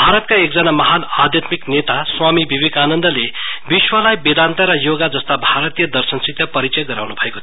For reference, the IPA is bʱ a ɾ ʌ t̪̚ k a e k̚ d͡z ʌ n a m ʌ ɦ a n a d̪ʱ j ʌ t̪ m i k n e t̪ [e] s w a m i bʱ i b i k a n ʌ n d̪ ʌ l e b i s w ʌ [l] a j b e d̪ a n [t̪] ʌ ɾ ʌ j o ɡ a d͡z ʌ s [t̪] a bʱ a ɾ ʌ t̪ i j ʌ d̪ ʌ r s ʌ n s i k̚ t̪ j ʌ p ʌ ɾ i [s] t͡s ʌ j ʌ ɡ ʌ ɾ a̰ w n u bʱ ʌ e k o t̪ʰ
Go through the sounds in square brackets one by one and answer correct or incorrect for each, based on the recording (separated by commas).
incorrect, correct, correct, correct, incorrect